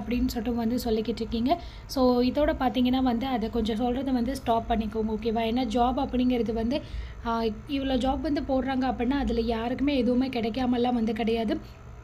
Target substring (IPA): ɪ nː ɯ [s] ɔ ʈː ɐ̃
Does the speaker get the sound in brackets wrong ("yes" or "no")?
no